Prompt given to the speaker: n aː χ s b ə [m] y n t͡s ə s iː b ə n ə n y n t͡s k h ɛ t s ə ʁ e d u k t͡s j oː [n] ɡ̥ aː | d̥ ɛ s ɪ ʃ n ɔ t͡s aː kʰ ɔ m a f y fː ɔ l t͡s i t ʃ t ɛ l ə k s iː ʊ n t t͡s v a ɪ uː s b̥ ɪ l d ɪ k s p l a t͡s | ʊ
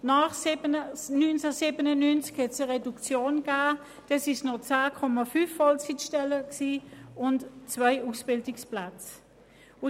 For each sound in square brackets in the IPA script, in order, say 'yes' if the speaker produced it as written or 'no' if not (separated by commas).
no, yes